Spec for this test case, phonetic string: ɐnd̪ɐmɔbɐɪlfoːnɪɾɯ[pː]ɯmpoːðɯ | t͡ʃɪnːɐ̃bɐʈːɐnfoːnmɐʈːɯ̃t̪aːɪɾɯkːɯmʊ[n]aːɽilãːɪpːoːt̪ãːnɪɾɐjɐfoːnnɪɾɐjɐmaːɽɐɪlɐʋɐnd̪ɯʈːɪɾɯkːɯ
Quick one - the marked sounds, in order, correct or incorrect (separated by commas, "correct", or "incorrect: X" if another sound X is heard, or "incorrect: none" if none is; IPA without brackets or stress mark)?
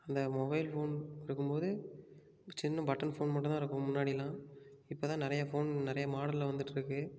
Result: incorrect: kː, incorrect: nː